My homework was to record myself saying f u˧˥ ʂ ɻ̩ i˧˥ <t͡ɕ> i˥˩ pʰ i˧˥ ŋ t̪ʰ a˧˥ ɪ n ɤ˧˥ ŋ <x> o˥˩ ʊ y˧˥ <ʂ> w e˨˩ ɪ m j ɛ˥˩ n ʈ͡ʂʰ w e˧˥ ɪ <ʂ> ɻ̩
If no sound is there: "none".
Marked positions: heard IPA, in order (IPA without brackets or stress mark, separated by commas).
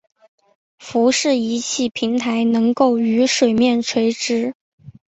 t͡ɕʰ, k, ʂ, ʈ͡ʂ